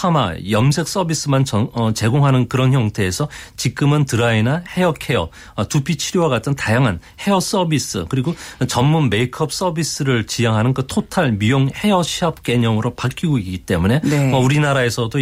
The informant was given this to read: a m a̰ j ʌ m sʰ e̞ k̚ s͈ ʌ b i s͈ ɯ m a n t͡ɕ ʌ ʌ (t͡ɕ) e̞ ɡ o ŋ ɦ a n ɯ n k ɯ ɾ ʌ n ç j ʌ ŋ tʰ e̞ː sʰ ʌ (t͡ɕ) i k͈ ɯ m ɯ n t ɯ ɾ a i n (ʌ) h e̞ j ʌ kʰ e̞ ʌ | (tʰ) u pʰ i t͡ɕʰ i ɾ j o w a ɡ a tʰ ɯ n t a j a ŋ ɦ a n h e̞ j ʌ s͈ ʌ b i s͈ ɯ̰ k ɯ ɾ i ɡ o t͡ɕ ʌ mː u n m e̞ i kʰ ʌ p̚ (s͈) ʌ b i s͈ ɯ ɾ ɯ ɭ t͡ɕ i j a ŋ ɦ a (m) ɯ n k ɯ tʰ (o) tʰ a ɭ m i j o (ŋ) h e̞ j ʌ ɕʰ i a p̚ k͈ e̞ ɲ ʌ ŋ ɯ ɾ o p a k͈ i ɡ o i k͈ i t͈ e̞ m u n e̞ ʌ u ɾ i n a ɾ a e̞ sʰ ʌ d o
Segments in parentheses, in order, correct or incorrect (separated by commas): correct, correct, incorrect, incorrect, correct, incorrect, correct, correct